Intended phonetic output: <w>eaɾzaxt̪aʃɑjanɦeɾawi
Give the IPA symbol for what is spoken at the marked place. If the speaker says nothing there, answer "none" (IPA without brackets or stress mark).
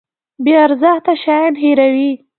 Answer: b